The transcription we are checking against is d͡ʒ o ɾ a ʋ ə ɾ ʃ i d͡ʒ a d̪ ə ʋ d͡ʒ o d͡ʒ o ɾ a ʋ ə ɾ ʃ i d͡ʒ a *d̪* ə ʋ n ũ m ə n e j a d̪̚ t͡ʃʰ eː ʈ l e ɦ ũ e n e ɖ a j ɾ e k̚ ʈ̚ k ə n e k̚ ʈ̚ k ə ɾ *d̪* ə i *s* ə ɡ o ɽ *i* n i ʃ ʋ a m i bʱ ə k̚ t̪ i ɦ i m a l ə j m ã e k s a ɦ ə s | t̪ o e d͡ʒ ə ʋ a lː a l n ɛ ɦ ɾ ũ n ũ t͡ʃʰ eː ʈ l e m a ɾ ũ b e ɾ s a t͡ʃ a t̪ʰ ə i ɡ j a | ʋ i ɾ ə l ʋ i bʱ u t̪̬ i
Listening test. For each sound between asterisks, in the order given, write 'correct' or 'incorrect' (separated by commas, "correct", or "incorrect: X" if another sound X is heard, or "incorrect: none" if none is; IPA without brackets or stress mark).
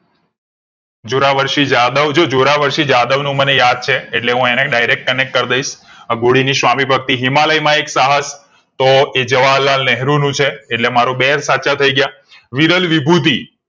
correct, correct, incorrect: ʃ, correct